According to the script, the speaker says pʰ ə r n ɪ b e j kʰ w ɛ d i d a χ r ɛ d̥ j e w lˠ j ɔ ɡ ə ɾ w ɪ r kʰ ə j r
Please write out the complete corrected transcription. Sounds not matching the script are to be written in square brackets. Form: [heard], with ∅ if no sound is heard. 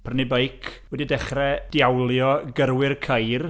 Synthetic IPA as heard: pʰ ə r n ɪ b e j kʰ w ɛ d i d [ɛ] χ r ɛ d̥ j [a] w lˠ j ɔ ɡ ə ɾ w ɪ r kʰ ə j r

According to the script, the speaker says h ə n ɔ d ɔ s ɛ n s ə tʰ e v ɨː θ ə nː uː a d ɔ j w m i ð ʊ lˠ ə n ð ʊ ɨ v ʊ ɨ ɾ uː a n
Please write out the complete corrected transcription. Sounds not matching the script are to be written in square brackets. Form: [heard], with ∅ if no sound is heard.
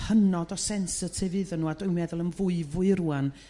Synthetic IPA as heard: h ə n ɔ d ɔ s ɛ n s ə tʰ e v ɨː [ð] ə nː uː a d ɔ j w m [ɛ] ð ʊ lˠ ə n [v] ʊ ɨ v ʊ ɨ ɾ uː a n

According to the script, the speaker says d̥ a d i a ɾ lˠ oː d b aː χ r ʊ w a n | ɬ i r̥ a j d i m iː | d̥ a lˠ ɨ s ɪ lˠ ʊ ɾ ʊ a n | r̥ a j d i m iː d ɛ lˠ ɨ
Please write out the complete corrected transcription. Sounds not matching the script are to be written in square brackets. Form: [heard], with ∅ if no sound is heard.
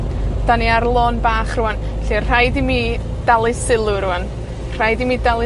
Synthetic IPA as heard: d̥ a [n] i a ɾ lˠ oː [n] b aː χ r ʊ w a n | ɬ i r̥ a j d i m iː | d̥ a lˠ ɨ s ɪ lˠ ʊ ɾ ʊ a n | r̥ a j d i m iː d [a] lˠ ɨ

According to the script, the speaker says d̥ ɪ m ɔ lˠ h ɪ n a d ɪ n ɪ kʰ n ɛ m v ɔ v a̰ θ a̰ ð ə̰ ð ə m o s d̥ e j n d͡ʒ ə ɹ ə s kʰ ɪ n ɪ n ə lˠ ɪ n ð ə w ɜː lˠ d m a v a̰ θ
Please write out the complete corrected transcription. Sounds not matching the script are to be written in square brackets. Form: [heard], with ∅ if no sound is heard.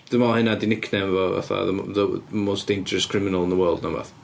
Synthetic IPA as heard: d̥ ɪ m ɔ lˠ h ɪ n a d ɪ n ɪ kʰ n ɛ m v ɔ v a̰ θ a̰ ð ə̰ ð ə m o s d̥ e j n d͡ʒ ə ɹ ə s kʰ ɪ [m] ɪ n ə lˠ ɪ n ð ə w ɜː lˠ d [n] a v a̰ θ

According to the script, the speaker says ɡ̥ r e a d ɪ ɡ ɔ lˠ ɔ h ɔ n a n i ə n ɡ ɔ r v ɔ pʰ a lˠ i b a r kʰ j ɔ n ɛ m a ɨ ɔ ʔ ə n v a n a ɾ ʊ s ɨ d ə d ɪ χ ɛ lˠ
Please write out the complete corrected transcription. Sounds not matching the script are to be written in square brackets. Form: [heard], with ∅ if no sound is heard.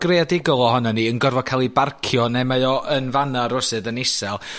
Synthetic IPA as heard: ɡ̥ r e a d ɪ ɡ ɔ lˠ ɔ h ɔ n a n i ə n ɡ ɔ r v ɔ [kʰ] a lˠ i b a r kʰ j ɔ n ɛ m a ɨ ɔ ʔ ə n v a n a ɾ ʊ s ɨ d ə [n] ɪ [s] ɛ lˠ

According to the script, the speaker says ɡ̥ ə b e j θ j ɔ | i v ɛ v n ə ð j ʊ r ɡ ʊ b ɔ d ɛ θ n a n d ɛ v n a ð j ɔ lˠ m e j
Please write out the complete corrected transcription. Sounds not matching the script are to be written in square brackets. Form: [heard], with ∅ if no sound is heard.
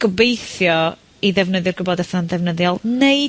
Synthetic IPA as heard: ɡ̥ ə b e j θ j ɔ | i [ð] ɛ v n ə ð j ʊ r ɡ ʊ b ɔ d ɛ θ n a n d ɛ v n [ə] ð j ɔ lˠ [n] e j

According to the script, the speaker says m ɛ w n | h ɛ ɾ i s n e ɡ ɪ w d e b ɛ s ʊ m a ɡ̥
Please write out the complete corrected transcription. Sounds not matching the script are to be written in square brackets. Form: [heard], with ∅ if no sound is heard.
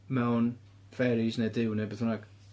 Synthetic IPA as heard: m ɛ w n | [f] ɛ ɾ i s n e [d] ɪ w [n] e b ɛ [θ] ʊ [n] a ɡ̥

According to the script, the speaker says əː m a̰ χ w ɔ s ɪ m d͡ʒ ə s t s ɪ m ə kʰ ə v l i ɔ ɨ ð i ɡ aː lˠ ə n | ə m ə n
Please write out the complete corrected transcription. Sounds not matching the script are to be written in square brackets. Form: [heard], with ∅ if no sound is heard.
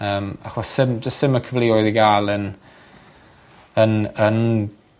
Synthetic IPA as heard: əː m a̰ χ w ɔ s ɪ m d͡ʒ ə s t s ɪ m ə kʰ ə v l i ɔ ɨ ð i ɡ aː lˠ ə n | ə [n] ə n

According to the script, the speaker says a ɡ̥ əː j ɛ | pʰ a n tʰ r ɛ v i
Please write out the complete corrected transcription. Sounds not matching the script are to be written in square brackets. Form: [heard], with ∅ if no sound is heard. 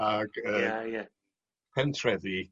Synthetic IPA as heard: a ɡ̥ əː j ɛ | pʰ [ɛ] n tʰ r ɛ [ð] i

